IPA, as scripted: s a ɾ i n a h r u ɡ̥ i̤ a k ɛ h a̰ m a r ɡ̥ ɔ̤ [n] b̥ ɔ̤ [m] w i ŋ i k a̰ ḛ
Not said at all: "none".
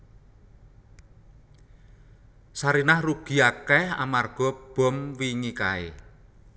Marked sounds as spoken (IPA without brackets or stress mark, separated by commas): none, m